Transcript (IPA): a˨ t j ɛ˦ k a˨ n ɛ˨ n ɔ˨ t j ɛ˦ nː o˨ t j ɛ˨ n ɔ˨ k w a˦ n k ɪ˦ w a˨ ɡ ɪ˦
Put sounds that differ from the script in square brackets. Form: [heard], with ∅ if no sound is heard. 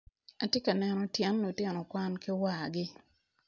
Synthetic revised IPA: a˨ t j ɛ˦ k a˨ n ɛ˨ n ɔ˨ t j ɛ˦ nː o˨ t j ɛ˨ n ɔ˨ k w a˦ n k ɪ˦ w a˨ ɡ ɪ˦